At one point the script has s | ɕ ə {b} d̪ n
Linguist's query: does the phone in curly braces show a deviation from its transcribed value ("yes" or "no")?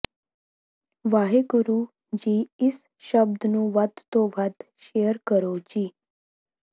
no